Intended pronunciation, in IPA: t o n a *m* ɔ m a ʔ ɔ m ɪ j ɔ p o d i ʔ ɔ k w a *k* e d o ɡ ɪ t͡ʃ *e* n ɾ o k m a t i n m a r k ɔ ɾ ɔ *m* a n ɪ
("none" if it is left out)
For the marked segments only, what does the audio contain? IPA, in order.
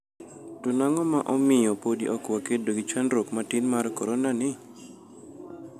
ŋ, k, a, n

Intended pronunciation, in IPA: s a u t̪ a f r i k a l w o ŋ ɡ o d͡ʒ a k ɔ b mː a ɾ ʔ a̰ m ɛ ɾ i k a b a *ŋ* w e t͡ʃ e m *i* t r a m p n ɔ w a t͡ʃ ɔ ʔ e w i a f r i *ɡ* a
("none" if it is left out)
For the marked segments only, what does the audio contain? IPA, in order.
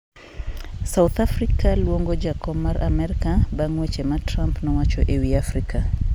ŋ, a, k

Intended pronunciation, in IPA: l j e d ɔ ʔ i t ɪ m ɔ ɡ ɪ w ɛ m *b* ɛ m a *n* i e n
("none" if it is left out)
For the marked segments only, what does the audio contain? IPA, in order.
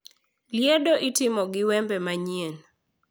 b, ɲ

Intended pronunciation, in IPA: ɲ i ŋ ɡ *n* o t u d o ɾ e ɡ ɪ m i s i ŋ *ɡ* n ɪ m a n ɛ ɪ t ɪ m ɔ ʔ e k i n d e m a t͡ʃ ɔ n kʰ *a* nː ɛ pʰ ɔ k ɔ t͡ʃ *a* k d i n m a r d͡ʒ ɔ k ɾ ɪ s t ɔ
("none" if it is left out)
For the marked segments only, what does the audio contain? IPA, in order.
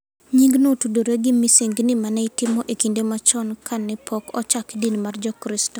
n, ɡ, a, a

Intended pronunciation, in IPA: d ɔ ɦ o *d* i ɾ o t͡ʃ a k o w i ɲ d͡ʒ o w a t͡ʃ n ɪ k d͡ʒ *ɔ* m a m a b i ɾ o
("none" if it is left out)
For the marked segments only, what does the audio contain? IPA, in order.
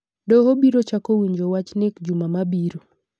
b, u

